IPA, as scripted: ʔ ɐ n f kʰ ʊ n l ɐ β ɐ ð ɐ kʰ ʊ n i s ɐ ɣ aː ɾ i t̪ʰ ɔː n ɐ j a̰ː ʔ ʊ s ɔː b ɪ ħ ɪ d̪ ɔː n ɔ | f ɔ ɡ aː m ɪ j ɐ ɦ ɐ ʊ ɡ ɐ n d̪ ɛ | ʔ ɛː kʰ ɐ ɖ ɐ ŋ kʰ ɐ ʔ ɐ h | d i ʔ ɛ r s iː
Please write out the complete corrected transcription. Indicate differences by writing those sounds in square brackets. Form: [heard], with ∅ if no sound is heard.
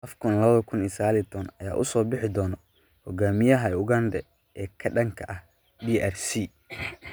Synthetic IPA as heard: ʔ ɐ [∅] f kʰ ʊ n l ɐ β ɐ ð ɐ kʰ ʊ n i s ɐ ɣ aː [l] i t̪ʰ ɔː n ɐ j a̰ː ʔ ʊ s ɔː b ɪ ħ ɪ d̪ ɔː n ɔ | [h] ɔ ɡ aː m ɪ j ɐ ɦ ɐ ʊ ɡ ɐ n d̪ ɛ | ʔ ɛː kʰ ɐ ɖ ɐ ŋ kʰ ɐ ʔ ɐ h | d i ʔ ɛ r s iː